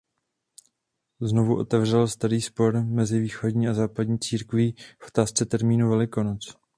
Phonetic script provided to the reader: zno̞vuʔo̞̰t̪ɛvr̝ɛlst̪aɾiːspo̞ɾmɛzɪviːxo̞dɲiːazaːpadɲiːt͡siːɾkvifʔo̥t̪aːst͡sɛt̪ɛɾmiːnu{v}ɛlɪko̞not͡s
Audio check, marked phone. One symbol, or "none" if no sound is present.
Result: v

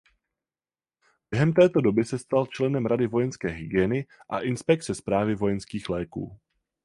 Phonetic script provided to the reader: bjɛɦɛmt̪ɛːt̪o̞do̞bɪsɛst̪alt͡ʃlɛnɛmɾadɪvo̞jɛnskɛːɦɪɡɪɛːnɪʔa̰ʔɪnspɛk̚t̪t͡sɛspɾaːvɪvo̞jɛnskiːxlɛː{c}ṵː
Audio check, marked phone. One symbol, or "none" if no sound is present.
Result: k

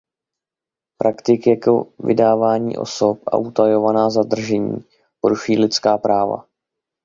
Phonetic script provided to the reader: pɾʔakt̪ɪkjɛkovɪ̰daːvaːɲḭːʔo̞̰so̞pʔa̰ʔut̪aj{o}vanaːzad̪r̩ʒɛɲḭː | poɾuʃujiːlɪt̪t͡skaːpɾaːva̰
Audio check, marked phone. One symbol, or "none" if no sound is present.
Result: o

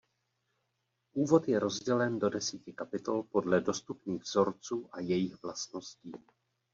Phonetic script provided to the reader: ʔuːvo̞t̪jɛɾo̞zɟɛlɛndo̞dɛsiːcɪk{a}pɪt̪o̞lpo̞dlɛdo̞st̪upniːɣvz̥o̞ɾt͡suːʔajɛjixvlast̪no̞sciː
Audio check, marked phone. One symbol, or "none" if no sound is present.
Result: a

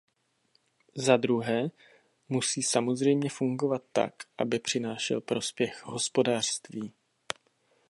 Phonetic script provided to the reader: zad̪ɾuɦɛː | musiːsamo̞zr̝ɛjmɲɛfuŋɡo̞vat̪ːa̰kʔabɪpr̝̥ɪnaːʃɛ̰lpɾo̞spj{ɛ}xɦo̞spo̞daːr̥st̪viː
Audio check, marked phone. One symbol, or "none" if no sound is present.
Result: ɛ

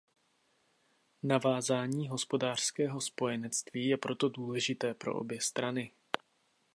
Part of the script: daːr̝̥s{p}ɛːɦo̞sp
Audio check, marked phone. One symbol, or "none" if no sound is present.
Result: k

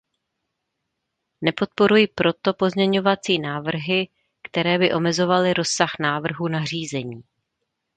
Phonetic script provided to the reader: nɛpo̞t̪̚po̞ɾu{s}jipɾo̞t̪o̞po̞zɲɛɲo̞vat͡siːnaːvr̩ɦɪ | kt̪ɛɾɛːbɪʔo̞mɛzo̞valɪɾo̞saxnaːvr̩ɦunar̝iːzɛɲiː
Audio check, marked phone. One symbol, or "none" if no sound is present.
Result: none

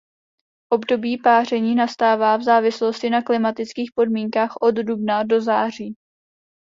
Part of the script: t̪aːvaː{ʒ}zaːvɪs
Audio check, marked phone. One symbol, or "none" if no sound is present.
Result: v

